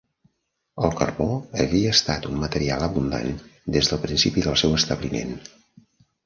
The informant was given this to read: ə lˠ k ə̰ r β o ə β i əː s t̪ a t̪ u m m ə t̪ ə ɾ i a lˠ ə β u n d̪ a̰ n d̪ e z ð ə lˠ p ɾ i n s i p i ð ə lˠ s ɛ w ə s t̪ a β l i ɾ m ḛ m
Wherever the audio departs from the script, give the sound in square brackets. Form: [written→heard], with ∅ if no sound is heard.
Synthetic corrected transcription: ə lˠ k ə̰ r β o ə β i əː s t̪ a t̪ u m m ə t̪ ə ɾ i a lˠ ə β u n d̪ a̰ n d̪ e z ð ə lˠ p ɾ i n s i p i ð ə lˠ s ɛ w ə s t̪ [a→ə] β l i [ɾ→∅] m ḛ [m→n]